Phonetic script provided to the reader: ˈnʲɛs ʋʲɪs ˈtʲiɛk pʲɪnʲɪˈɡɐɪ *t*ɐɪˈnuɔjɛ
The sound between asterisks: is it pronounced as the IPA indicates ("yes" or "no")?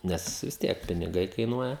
no